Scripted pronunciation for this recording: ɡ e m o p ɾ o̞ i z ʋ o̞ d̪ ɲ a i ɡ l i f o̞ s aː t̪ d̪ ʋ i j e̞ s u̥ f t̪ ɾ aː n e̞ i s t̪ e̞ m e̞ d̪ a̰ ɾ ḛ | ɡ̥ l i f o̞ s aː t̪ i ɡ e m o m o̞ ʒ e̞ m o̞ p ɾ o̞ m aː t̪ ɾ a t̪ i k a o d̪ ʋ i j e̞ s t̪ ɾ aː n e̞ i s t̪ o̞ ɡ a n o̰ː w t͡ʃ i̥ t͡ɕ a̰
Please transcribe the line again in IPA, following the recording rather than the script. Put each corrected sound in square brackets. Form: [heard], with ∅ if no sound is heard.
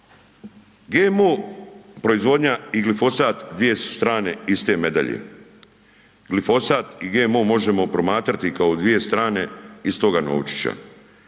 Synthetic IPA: ɡ e m o p ɾ o̞ i z ʋ o̞ d̪ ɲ a i ɡ l i f o̞ s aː t̪ d̪ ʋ i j e̞ s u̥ [s] t̪ ɾ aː n e̞ i s t̪ e̞ m e̞ d̪ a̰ [ʎ] ḛ | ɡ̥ l i f o̞ s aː t̪ i ɡ e m o m o̞ ʒ e̞ m o̞ p ɾ o̞ m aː t̪ ɾ a t̪ i k a o d̪ ʋ i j e̞ s t̪ ɾ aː n e̞ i s t̪ o̞ ɡ a n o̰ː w t͡ʃ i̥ t͡ɕ a̰